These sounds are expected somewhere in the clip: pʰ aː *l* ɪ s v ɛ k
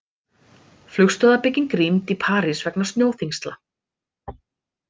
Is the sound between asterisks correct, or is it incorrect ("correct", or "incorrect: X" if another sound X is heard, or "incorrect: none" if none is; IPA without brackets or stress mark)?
incorrect: ɾ